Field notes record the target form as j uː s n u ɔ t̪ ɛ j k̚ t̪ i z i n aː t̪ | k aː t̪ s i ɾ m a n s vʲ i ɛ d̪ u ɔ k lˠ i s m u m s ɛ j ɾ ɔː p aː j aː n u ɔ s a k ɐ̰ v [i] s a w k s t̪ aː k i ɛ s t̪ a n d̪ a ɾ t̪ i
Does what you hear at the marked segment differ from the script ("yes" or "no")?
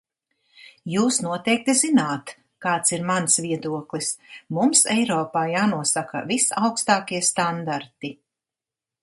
no